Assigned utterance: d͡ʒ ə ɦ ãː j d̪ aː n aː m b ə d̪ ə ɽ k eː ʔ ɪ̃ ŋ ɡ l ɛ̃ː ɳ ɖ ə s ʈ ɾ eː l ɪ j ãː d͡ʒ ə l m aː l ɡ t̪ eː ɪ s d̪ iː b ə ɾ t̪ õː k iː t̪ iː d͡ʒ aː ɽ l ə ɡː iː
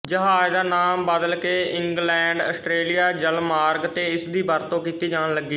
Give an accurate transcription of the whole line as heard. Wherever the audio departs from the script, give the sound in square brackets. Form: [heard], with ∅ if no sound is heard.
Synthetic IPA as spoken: d͡ʒ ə ɦ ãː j d̪ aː n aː m b ə d̪ ə [l] k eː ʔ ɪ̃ ŋ ɡ l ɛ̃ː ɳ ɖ ə s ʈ ɾ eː l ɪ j [aː] d͡ʒ ə l m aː [ɾ] ɡ t̪ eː ɪ s d̪ iː b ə ɾ t̪ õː k iː t̪ iː d͡ʒ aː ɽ l ə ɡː iː